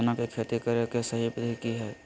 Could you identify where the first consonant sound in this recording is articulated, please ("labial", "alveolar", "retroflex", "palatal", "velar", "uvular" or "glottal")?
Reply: alveolar